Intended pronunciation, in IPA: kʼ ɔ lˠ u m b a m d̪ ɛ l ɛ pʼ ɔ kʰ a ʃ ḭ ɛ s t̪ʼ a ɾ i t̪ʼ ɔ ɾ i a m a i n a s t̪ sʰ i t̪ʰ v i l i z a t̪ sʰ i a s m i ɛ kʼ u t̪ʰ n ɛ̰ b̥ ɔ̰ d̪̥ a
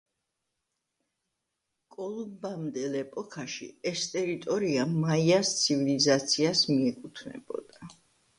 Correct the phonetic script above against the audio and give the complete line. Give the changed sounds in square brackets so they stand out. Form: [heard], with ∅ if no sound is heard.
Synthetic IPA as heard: kʼ ɔ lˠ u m b a m d̪ ɛ l ɛ pʼ ɔ kʰ a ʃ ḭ ɛ s t̪ʼ [ɛ] ɾ i t̪ʼ ɔ ɾ i a m a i [∅] a s t̪ sʰ i [∅] v i l i z a t̪ sʰ i a s m i ɛ kʼ u t̪ʰ n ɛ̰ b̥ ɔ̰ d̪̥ a